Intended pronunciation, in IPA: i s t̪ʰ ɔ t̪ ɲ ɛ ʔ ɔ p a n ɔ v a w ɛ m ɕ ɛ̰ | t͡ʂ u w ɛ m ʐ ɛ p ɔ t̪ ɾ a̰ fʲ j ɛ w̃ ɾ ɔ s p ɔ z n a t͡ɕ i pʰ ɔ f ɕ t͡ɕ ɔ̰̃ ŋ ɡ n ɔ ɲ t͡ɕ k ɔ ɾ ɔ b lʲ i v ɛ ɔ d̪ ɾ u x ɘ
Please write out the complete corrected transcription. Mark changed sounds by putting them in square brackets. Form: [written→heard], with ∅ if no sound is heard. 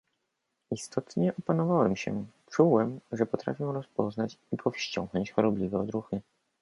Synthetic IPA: i s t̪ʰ ɔ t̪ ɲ ɛ ʔ ɔ p a n ɔ v a w ɛ m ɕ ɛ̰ | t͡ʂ u w ɛ m ʐ ɛ p ɔ t̪ ɾ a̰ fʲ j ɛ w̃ ɾ ɔ s p ɔ z n a t͡ɕ i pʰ ɔ f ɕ t͡ɕ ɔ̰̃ ŋ ɡ n ɔ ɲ t͡ɕ [k→x] ɔ ɾ ɔ b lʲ i v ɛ ɔ d̪ ɾ u x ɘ